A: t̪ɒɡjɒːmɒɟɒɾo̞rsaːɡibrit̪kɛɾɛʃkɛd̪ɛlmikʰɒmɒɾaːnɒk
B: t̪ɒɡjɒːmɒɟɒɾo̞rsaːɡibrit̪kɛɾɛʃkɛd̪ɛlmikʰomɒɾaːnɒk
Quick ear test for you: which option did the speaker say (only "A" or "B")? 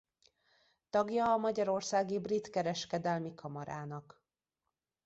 A